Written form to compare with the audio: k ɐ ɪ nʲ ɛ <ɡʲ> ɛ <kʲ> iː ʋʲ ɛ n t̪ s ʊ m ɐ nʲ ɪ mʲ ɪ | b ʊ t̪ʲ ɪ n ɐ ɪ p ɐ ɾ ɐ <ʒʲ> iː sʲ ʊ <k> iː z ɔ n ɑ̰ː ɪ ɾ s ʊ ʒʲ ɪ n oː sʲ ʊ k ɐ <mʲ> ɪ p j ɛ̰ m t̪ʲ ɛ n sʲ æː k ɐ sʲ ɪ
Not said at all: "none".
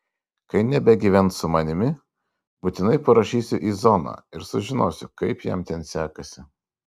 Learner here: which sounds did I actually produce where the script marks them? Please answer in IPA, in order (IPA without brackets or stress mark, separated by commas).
bʲ, ɡʲ, ʃʲ, ʔ, none